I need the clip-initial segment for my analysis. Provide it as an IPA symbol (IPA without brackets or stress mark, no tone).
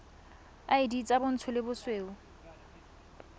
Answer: a